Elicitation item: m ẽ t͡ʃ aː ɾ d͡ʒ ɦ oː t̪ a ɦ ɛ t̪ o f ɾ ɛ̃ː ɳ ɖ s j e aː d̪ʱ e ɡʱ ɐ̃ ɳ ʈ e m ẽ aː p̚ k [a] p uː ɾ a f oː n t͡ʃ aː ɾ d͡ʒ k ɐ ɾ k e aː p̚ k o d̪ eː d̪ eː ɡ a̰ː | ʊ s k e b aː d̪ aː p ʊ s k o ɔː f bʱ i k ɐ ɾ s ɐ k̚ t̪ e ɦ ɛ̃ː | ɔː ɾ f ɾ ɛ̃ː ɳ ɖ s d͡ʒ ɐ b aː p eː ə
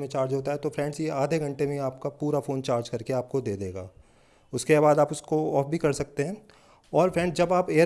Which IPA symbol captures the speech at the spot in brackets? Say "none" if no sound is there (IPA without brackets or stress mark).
a